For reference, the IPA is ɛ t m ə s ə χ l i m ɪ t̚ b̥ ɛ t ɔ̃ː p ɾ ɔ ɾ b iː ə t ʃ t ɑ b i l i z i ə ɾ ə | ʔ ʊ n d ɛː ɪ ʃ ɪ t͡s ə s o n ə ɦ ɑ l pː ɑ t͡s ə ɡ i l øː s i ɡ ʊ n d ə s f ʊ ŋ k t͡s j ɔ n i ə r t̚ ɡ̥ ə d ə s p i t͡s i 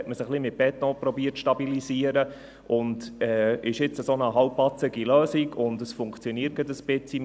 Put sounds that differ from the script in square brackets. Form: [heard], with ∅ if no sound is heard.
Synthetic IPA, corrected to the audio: ɛ t m ə s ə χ l i m ɪ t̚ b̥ ɛ t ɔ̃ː p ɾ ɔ [∅] b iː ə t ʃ t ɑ b i l i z i ə ɾ ə | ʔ ʊ n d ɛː ɪ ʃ ɪ t͡s ə s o n ə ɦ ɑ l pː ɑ t͡s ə ɡ i l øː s i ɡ ʊ n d ə s f ʊ ŋ k t͡s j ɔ n i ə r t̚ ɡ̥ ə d ə s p [ɪ] t͡s i